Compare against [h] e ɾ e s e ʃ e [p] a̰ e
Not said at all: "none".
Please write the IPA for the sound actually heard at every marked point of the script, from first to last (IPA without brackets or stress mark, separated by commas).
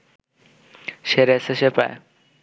ʃ, p